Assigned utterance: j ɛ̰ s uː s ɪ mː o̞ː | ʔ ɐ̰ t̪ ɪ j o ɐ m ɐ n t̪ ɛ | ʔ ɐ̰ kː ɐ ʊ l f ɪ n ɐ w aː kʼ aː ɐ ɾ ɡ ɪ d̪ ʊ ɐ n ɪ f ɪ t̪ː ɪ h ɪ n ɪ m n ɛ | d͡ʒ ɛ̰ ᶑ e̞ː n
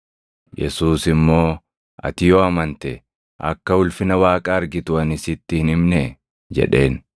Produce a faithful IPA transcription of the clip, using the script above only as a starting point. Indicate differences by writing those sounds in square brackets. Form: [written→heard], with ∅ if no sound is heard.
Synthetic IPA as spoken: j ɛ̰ s uː s ɪ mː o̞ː | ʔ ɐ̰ t̪ ɪ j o ɐ m ɐ n t̪ ɛ | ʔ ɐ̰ kː ɐ ʊ l f ɪ n ɐ w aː kʼ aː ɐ ɾ ɡ ɪ [d̪→t̪] ʊ ɐ n ɪ [f→s] ɪ t̪ː ɪ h ɪ n ɪ m n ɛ | d͡ʒ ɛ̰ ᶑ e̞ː n